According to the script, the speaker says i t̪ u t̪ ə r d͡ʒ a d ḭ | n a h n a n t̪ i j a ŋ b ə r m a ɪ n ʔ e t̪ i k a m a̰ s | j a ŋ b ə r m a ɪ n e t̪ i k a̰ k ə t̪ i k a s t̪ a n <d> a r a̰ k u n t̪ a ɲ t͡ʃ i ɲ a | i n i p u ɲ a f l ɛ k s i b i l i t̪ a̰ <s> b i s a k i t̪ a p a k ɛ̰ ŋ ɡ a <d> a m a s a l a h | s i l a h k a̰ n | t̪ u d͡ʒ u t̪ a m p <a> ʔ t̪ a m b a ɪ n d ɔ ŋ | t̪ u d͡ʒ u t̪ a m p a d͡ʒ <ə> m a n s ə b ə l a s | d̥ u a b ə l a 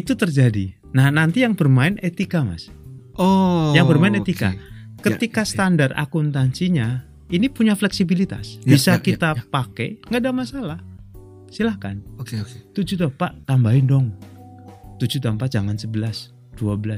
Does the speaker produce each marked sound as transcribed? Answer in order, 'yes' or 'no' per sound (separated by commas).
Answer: yes, yes, yes, yes, no